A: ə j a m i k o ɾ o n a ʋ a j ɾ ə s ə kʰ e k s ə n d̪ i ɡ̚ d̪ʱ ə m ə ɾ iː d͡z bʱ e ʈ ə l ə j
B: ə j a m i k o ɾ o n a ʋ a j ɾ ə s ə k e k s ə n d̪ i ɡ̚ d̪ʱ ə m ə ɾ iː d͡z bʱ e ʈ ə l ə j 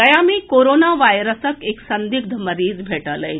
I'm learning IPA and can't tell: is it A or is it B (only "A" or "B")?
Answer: B